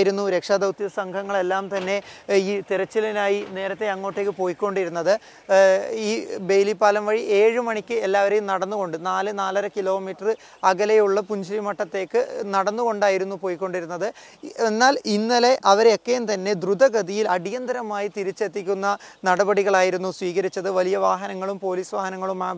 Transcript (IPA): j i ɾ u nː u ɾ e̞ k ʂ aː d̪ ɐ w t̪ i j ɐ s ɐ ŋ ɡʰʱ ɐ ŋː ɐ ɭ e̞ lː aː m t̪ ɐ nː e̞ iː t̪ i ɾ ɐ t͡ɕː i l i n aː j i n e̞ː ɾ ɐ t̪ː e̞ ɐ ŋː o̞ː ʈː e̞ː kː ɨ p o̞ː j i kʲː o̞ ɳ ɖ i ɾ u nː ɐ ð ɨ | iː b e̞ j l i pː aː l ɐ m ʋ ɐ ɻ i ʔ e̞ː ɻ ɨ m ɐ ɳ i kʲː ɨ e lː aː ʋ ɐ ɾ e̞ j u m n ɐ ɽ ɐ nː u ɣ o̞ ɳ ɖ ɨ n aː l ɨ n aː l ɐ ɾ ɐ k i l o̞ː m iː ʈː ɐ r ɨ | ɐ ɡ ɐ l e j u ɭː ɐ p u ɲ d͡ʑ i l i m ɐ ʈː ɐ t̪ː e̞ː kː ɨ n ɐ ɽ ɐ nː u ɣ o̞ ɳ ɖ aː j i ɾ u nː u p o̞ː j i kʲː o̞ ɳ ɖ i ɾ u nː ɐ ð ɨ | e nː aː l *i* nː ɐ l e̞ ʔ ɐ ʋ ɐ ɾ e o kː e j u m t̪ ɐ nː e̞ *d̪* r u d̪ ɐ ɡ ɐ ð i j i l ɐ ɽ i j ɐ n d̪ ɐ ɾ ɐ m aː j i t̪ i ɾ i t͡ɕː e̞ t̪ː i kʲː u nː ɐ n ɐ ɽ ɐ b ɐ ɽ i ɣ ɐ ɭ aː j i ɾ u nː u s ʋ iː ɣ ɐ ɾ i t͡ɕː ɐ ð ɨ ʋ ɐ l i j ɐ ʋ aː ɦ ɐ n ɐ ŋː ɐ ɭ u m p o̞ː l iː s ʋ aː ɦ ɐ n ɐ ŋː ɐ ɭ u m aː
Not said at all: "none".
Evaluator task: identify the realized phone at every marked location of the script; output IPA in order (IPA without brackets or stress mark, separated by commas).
i, d̪